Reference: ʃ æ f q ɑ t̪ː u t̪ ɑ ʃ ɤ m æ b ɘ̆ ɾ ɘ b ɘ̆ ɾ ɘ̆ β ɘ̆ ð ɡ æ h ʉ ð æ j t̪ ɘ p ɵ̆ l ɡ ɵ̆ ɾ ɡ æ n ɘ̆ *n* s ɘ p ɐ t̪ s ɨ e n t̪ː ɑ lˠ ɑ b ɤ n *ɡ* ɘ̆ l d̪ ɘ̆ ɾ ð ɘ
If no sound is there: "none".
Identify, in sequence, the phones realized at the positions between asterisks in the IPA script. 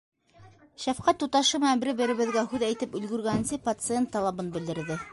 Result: n, b

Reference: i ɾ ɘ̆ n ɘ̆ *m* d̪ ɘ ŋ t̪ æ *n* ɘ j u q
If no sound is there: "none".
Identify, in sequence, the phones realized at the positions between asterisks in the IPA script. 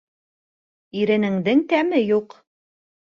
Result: ŋ, m

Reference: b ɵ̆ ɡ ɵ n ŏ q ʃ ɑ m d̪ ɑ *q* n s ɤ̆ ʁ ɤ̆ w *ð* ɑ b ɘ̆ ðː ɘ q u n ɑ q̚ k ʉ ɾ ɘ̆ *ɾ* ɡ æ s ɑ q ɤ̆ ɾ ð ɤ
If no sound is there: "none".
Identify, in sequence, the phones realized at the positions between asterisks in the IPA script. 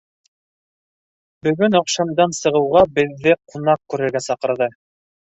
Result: none, ʁ, ɾ

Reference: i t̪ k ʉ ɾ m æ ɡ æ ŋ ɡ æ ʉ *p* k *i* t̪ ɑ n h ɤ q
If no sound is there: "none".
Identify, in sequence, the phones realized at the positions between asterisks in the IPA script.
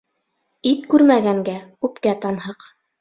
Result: p, æ

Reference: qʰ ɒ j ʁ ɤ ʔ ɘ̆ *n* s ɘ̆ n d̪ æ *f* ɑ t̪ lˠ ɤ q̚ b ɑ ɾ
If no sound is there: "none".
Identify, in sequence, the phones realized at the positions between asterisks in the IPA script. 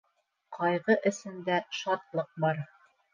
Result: none, ʃ

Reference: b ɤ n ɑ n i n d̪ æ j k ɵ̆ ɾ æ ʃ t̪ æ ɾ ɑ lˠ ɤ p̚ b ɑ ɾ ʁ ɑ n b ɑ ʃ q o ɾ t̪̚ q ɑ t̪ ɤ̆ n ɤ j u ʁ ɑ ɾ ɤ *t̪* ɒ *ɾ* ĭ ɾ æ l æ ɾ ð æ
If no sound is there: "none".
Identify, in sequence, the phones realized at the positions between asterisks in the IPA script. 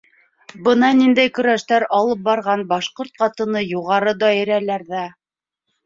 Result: d̪, none

